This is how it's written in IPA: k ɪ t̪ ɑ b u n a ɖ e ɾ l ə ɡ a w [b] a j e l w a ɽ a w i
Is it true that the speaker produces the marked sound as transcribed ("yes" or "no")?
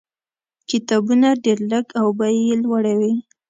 yes